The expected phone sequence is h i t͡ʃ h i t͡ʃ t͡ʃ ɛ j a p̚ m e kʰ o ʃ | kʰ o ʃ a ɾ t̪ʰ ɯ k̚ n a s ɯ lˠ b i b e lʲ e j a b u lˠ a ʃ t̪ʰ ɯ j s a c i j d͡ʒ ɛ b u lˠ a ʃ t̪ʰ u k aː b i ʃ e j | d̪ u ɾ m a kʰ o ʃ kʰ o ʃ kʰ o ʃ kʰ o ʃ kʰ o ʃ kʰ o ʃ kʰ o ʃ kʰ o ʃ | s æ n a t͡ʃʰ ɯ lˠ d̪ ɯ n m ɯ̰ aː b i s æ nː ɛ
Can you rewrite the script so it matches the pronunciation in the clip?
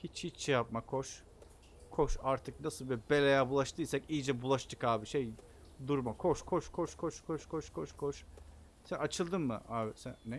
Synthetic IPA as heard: h i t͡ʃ h i t͡ʃ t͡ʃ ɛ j a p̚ m a kʰ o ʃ | kʰ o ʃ a ɾ t̪ʰ ɯ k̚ n a s ɯ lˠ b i b e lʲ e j a b u lˠ a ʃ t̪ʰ ɯ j s a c i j d͡ʒ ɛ b u lˠ a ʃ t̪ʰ ɯ k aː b i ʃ e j | d̪ u ɾ m a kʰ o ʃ kʰ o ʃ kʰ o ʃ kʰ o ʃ kʰ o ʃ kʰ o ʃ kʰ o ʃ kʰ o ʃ | s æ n a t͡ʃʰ ɯ lˠ d̪ ɯ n m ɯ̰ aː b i s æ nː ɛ